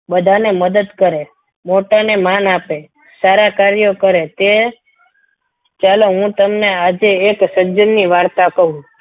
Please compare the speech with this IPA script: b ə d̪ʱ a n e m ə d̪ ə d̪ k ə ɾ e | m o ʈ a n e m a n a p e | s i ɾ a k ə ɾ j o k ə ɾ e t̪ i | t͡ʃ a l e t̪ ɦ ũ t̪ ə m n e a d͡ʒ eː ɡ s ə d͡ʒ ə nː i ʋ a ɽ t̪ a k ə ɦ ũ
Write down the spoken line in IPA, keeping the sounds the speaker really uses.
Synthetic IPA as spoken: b ə d̪ʱ a n e m ə d̪ ə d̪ k ə ɾ e | m o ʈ a n e m a n a p e | s a ɾ a k a ɾ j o k ə ɾ e t̪ e | t͡ʃ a l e ɦ ũ t̪ ə m n e a d͡ʒ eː k s ə d͡ʒ ə nː i ʋ a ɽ t̪ a k ə ɦ ũ